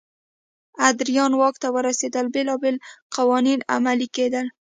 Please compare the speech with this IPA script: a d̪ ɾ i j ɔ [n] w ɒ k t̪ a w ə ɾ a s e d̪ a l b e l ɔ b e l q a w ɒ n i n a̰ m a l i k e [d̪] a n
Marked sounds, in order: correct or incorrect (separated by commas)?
correct, correct